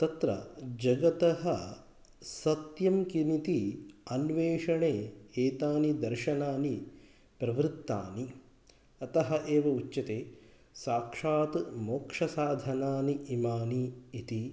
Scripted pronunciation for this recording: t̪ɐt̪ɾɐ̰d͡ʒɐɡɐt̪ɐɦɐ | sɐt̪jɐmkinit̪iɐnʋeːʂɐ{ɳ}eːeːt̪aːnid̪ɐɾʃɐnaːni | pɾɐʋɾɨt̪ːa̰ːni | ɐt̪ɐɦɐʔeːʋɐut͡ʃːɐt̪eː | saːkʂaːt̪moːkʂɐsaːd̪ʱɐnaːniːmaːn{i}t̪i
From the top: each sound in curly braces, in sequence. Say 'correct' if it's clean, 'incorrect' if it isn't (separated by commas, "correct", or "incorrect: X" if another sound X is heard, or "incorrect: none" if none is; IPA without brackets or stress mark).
correct, incorrect: iː